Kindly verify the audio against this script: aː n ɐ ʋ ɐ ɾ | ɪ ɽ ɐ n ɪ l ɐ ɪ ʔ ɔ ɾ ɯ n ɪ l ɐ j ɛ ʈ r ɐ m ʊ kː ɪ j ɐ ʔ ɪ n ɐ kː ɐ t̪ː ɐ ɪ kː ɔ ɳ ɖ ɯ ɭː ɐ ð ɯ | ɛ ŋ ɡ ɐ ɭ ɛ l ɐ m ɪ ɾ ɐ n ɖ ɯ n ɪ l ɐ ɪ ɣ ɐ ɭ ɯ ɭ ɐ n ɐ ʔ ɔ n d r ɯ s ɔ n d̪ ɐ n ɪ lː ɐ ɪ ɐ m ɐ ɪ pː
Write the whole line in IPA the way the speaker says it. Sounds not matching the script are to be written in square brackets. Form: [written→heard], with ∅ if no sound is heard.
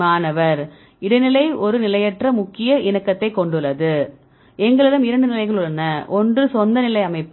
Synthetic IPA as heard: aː n ɐ ʋ ɐ ɾ | ɪ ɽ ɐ n ɪ l ɐ ɪ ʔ ɔ ɾ ɯ n ɪ l ɐ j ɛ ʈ r ɐ m ʊ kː ɪ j ɐ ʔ ɪ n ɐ kː ɐ t̪ː ɐ ɪ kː ɔ ɳ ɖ ɯ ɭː ɐ ð ɯ | ɛ ŋ ɡ ɐ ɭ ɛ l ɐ m ɪ ɾ ɐ [n→ɳ] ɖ ɯ n ɪ l ɐ ɪ ɣ ɐ ɭ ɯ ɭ ɐ n ɐ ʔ ɔ n d r ɯ s ɔ n d̪ ɐ n ɪ [lː→l] ɐ ɪ ɐ m ɐ ɪ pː